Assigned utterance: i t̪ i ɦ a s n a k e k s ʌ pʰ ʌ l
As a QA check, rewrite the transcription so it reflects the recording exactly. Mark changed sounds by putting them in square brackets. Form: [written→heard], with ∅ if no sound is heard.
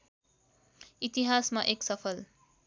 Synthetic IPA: i t̪ i ɦ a s [n→m] a [k→ʔ] e k s ʌ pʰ ʌ l